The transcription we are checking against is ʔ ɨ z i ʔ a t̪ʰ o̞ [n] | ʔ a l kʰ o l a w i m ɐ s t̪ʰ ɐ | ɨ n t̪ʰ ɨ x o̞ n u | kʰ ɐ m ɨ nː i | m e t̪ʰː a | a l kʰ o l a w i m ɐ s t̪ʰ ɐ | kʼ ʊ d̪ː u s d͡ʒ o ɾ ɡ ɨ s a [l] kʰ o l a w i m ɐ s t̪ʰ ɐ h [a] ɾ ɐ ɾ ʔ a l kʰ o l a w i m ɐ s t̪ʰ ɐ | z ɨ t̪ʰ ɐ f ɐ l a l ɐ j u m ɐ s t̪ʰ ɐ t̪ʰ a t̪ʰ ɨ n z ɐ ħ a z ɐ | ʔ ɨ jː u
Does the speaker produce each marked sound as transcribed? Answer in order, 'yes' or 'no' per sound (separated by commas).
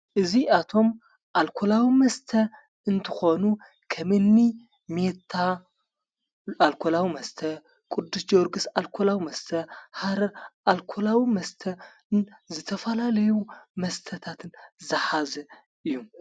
no, yes, yes